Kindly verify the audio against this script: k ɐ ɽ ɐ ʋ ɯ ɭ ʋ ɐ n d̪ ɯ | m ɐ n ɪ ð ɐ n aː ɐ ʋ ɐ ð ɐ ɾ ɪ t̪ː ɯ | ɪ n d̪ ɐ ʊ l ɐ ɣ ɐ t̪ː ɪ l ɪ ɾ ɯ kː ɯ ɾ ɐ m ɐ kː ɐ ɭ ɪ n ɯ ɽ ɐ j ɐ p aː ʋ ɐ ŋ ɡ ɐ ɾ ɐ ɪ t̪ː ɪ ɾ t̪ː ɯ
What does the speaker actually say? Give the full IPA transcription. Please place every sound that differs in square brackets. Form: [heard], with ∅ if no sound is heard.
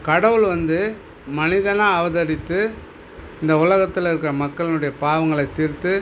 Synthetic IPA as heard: k ɐ ɽ ɐ ʋ ɯ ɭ ʋ ɐ n d̪ ɯ | m ɐ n ɪ ð ɐ n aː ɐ ʋ ɐ ð ɐ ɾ ɪ t̪ː ɯ | ɪ n d̪ ɐ ʊ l ɐ ɣ ɐ t̪ː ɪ l ɪ ɾ ɯ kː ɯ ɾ ɐ m ɐ kː ɐ ɭ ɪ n ɯ ɽ ɐ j ɐ p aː ʋ ɐ ŋ ɡ ɐ [ɭ] ɐ ɪ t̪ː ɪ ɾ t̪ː ɯ